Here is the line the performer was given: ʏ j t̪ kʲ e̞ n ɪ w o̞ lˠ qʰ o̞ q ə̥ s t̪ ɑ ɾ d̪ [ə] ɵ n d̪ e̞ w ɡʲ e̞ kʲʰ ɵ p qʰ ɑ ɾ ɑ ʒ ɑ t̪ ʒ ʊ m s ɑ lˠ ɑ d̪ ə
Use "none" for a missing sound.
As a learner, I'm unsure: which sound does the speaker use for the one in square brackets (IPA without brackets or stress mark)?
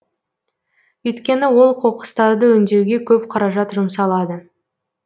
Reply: ə